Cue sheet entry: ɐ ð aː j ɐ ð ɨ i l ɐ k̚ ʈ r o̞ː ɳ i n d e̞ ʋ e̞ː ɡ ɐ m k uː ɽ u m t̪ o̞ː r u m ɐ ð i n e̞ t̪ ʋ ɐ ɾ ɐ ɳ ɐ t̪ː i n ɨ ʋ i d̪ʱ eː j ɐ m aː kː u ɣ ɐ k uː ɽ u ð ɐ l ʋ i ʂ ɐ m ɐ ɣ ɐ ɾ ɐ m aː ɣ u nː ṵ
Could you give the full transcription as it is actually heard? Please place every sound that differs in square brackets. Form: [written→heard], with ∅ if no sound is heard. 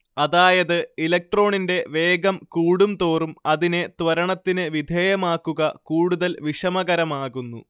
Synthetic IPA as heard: ɐ ð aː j ɐ ð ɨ i l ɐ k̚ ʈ r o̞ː ɳ i n d e̞ ʋ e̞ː ɡ ɐ m k uː ɽ u m t̪ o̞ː r u m ɐ ð i n e̞ t̪ ʋ ɐ ɾ ɐ ɳ ɐ t̪ː i n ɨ ʋ i d̪ʱ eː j ɐ m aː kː u ɣ ɐ k uː ɽ u ð ɐ l ʋ i ʂ ɐ m ɐ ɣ ɐ ɾ ɐ m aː ɣ u nː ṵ